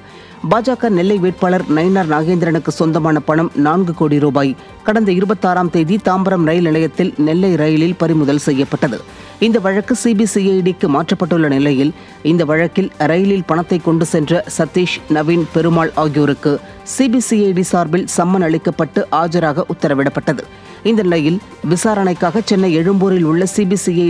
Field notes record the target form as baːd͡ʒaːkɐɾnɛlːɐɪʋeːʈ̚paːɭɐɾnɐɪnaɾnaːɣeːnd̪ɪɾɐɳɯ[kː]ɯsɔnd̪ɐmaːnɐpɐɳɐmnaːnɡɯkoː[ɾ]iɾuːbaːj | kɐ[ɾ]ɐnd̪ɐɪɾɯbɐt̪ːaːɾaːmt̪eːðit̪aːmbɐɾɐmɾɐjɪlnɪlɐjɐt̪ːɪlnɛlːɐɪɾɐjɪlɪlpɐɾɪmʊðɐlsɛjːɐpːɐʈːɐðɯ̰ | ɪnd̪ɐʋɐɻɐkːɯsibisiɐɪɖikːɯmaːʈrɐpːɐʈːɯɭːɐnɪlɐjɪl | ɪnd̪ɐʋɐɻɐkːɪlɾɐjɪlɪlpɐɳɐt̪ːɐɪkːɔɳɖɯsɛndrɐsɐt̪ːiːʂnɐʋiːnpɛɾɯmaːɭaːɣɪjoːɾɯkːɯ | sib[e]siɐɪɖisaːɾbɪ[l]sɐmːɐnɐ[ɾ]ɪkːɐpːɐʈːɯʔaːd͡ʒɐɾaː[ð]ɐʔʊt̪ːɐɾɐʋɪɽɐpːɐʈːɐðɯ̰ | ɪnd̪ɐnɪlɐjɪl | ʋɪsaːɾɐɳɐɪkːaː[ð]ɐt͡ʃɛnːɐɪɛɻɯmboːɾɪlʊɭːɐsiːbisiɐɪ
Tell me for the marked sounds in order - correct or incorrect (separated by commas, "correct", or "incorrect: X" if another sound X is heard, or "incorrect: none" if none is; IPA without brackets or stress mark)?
correct, incorrect: ɽ, incorrect: ɽ, incorrect: i, correct, incorrect: ɭ, incorrect: ɣ, incorrect: ɣ